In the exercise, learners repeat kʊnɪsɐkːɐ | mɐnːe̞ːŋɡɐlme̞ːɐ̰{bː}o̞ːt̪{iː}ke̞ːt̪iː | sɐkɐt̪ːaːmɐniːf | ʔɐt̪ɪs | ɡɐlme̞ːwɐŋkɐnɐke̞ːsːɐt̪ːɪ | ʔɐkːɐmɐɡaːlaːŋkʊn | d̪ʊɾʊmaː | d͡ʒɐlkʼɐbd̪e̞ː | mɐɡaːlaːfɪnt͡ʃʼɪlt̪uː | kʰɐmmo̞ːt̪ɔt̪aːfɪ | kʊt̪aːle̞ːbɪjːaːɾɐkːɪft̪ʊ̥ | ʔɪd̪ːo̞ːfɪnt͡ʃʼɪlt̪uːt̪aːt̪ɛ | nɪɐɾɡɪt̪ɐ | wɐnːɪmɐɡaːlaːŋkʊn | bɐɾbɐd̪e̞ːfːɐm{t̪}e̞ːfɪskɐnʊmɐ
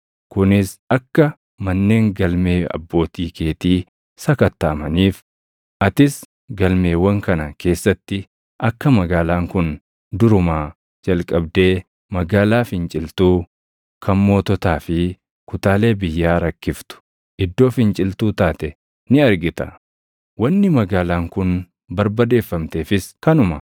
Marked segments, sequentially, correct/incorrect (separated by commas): correct, correct, correct